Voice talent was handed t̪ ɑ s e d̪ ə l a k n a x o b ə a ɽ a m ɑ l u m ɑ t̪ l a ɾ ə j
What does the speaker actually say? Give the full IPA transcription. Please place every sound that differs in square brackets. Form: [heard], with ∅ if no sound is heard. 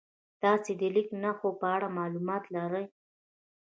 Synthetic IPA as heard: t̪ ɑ s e d̪ ə l [i] k n a x o [p] ə a ɽ a m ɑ l u m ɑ t̪ l a ɾ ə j